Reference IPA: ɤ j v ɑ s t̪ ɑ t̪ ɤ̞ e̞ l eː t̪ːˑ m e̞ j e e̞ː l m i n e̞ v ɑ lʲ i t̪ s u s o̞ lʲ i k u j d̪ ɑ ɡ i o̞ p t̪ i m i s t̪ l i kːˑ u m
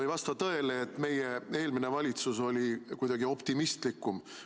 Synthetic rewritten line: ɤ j v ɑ s t̪ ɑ t̪ ɤ̞ e̞ l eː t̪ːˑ m e̞ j e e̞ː l m i n e̞ v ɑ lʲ i t̪ s u s o̞ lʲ i k u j d̪ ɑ ɡ i o̞ p t̪ i m i s t̪ l i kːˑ u m